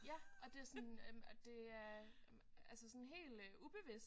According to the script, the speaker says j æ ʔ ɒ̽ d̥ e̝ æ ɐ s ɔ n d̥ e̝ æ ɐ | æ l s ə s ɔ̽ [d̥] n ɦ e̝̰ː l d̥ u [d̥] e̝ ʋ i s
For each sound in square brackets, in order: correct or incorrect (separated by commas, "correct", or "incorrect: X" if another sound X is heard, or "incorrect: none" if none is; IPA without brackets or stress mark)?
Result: incorrect: none, incorrect: b̥